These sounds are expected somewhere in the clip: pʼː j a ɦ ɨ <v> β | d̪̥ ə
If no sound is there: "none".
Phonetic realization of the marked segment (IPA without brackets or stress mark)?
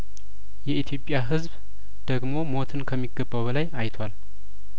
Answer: z